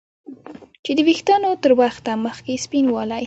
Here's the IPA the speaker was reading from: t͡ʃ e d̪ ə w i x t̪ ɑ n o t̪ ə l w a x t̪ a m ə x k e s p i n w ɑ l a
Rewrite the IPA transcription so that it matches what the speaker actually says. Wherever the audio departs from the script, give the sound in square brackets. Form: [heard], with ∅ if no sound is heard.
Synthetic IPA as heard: t͡ʃ e d̪ ə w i x t̪ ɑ n o t̪ ə [ɾ] w a x t̪ a m ə x k e s p i n w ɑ l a